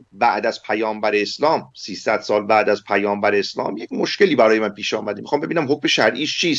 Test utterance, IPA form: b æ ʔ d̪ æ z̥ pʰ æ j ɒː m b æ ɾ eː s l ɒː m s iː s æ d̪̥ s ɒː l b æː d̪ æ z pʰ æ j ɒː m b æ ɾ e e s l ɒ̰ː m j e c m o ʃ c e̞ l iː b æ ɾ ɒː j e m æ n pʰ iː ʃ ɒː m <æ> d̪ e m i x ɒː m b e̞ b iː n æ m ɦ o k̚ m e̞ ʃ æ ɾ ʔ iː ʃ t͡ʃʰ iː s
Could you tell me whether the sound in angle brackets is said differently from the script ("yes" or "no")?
no